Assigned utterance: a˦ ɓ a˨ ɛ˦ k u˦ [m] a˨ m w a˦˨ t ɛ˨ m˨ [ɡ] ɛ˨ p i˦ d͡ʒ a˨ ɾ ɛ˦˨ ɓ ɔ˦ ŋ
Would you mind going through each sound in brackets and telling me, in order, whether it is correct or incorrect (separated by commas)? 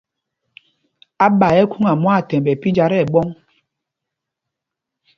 incorrect, incorrect